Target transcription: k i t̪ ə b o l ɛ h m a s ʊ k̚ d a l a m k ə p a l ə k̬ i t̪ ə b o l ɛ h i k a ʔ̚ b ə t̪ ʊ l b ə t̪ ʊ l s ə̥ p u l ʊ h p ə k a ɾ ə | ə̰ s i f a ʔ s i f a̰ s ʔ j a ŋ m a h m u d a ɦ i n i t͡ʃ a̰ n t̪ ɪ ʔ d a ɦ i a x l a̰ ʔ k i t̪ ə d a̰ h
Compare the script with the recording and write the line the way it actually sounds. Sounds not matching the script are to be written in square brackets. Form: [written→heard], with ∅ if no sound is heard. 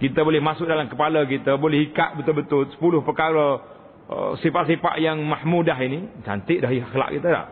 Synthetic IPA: k i t̪ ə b o l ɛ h m a s ʊ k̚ d a l a m k ə p a l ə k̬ i t̪ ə b o l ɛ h i k a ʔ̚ b ə t̪ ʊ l b ə t̪ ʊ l s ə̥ p u l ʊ h p ə k a ɾ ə | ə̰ s i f a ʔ s i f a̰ [s→∅] ʔ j a ŋ m a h m u d a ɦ i n i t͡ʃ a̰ n t̪ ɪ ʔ d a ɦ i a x l a̰ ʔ k i t̪ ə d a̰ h